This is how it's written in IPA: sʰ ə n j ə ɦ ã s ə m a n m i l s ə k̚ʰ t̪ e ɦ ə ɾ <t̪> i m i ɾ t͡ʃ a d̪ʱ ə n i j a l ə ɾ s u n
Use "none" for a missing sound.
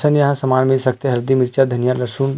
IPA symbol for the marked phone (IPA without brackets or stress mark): d̪